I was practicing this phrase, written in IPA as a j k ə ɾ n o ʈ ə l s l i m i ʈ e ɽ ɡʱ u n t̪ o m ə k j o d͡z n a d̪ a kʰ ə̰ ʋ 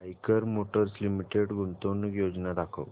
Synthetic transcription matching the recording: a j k ə ɾ m o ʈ ə ɾ s l i m i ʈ e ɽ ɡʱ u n t̪ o n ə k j o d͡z n a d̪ a kʰ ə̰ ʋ